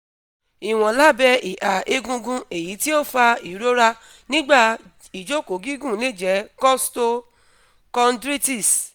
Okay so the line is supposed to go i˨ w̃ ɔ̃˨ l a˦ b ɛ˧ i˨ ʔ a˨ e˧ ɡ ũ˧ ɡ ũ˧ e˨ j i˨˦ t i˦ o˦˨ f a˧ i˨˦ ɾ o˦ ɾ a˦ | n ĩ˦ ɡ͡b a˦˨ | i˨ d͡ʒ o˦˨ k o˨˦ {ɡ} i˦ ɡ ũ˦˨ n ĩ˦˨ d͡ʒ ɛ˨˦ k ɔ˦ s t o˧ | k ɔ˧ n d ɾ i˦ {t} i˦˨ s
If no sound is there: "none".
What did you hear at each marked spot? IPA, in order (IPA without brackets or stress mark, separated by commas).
ɡ, t